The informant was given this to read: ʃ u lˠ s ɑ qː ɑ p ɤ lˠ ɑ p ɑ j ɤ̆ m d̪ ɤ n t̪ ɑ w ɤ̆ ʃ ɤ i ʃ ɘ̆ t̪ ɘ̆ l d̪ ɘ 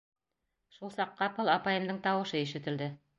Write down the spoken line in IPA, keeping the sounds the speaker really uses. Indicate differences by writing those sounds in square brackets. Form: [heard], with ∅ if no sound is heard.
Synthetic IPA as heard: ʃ u lˠ s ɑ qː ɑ p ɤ lˠ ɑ p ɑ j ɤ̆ m d̪ ɤ [ɴ] t̪ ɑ w ɤ̆ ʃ ɤ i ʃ ɘ̆ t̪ ɘ̆ l d̪ ɘ